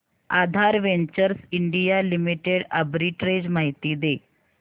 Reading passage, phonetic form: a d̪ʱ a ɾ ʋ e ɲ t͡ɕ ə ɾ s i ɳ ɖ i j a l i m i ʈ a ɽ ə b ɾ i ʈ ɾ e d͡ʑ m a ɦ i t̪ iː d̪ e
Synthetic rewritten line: a d̪ʱ a ɾ ʋ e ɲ t͡ɕ ə ɾ s i ɳ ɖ i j a l i m i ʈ e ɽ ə b ɾ i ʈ ɾ e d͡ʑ m a ɦ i t̪ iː d̪ e

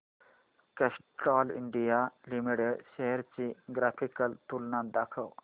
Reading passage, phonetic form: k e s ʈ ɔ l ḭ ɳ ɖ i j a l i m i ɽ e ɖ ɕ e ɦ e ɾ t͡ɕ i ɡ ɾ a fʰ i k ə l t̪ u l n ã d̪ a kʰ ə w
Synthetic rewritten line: k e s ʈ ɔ l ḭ ɳ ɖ i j a l i m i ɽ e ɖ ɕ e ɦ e ɾ t͡ɕ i ɡ ɾ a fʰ i k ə l t̪ u l n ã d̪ a kʰ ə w

